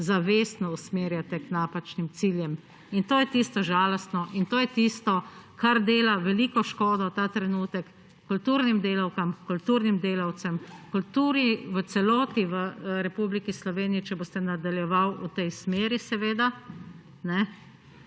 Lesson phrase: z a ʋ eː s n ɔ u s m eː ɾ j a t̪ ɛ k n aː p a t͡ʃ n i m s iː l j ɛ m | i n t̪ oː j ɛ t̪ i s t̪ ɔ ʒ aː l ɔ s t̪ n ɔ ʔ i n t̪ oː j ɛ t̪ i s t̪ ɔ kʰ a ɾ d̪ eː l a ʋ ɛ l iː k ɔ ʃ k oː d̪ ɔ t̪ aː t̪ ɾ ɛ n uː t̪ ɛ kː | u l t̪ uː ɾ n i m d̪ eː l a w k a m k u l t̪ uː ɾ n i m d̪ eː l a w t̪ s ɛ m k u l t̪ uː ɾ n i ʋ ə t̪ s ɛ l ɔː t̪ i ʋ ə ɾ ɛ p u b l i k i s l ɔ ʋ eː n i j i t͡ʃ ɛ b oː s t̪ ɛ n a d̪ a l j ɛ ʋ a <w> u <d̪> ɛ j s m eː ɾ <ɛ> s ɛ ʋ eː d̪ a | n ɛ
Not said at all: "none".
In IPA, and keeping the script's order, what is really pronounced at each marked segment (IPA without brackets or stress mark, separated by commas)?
w, t̪, i